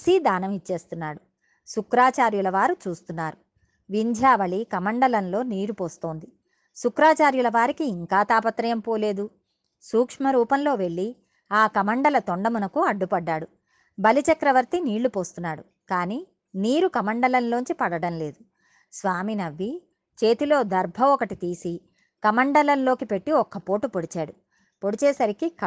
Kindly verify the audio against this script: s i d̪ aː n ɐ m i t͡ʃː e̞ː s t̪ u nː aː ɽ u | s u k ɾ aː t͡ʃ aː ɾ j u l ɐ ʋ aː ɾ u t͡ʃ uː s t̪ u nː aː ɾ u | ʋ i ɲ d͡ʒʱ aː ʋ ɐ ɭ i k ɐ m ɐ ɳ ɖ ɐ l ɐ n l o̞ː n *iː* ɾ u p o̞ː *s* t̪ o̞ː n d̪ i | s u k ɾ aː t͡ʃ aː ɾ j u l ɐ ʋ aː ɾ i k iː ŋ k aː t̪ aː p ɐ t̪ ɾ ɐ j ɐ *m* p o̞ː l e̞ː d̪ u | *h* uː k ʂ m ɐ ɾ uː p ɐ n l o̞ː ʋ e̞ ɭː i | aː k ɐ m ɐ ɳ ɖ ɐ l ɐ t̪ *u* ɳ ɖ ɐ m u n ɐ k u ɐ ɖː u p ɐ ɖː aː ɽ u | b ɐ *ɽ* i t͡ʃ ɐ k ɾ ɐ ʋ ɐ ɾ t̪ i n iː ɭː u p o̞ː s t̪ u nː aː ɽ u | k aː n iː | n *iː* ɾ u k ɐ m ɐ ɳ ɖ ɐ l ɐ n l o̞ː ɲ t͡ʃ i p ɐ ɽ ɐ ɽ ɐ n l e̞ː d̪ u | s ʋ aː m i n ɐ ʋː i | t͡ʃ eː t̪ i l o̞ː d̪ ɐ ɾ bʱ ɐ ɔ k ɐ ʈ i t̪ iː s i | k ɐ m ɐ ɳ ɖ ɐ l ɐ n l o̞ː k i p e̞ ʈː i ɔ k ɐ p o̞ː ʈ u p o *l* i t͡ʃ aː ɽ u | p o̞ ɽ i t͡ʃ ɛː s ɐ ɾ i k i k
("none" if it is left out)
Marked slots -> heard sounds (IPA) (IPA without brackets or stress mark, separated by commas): iː, s, m, s, o, l, iː, ɽ